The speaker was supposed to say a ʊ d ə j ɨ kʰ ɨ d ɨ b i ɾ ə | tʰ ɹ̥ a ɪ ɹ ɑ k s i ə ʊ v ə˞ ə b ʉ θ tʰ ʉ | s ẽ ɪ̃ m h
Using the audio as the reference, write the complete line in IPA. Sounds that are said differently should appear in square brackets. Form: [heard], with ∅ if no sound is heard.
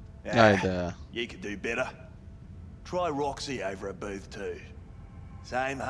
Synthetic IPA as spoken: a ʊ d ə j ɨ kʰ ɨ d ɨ b [ɛ] ɾ ə | tʰ ɹ̥ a ɪ ɹ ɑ k s i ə ʊ v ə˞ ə b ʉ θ tʰ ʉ | s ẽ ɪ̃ m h

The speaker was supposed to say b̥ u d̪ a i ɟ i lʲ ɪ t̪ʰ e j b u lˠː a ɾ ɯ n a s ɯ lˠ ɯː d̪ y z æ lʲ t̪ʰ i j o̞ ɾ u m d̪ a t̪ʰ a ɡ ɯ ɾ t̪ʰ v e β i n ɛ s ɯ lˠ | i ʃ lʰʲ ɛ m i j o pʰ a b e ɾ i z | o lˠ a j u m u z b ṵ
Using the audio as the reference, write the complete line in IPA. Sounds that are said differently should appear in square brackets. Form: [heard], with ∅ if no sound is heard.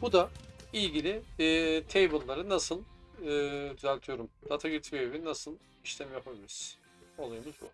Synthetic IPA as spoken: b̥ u d̪ a i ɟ i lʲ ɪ t̪ʰ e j b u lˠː a ɾ ɯ n a s ɯ lˠ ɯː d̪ y z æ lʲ t̪ʰ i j o̞ ɾ u m d̪ a t̪ʰ a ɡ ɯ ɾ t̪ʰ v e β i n [a] s ɯ lˠ | i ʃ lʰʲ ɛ m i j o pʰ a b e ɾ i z | o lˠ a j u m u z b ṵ

